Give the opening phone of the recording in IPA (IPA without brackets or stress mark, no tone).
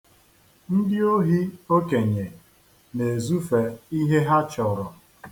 n̩